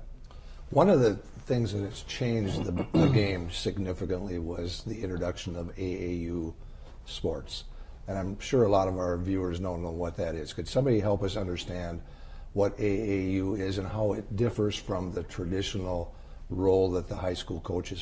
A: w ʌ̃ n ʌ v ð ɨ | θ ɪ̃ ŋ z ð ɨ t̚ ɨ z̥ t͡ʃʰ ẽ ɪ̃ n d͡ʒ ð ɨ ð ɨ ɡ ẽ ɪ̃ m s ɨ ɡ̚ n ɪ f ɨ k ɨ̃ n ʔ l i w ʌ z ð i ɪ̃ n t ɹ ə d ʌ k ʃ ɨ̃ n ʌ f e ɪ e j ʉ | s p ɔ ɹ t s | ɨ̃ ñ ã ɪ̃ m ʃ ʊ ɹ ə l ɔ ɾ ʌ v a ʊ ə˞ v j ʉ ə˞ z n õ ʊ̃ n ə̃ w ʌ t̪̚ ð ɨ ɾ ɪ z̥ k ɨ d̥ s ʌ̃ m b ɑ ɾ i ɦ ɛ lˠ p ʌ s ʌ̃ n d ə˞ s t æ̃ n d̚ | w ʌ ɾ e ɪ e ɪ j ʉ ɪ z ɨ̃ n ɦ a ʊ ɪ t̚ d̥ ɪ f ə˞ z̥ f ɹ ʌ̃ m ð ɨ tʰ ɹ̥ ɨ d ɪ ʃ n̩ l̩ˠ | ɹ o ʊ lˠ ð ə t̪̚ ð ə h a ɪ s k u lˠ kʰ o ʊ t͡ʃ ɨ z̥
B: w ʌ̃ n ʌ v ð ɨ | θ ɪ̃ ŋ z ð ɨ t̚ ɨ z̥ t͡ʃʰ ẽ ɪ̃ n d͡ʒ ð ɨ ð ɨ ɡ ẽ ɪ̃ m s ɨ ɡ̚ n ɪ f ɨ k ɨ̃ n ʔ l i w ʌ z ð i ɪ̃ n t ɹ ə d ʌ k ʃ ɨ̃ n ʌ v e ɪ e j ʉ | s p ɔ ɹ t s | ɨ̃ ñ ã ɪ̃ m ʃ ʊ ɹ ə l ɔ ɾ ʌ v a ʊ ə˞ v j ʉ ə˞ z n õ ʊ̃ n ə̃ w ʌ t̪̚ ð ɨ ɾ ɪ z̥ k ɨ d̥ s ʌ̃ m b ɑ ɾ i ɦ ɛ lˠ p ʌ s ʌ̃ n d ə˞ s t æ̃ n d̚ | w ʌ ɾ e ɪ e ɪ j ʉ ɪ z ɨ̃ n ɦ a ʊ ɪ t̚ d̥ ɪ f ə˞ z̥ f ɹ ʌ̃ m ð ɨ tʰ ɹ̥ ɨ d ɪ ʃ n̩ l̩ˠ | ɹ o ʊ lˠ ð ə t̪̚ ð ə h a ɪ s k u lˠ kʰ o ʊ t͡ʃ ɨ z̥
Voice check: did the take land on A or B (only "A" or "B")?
B